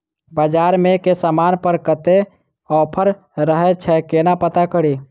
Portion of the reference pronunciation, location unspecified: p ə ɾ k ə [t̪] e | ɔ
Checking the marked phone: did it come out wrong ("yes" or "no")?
no